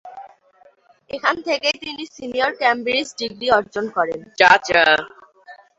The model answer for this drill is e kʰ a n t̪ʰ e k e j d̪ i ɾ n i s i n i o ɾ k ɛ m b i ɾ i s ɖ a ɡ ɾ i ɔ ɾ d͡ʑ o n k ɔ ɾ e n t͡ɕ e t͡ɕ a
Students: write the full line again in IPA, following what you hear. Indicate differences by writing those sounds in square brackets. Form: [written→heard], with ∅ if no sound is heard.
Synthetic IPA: e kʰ a n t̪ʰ e k e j [d̪→t̪] i [ɾ→∅] n i s i n i o ɾ k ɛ m b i ɾ i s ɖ [a→i] ɡ ɾ i ɔ ɾ d͡ʑ o n k ɔ ɾ e n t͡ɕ [e→a] t͡ɕ a